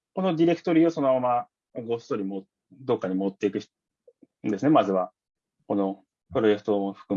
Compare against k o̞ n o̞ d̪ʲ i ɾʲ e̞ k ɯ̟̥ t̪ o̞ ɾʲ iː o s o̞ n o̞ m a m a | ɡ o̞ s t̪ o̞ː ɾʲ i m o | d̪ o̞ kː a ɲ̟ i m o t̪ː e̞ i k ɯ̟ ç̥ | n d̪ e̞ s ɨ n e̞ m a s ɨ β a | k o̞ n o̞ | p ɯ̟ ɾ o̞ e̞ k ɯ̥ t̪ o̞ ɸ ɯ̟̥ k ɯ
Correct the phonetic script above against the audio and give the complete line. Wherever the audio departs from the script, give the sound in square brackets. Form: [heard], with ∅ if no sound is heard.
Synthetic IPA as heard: k o̞ n o̞ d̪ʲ i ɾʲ e̞ k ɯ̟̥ t̪ o̞ ɾʲ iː o s o̞ n o̞ m a m a | ɡ o̞ s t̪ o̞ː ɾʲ i m o | d̪ o̞ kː a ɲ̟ i m o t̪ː e̞ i k ɯ̟ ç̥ | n d̪ e̞ s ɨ n e̞ m a [z] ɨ β a | k o̞ n o̞ | p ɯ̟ ɾ o̞ e̞ k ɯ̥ t̪ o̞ ɸ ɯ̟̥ k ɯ